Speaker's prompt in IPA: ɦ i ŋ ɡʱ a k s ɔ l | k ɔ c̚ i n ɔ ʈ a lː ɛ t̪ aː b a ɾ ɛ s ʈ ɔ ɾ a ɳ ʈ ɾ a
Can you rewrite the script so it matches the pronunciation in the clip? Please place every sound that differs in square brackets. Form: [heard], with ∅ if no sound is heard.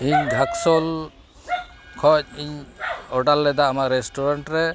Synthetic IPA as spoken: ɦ i [ɲ] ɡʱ a k s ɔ l | [kʰ] ɔ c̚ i [ɲ] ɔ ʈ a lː ɛ [d̪] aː [m] a ɾ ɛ s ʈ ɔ ɾ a ɳ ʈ ɾ [ɛ]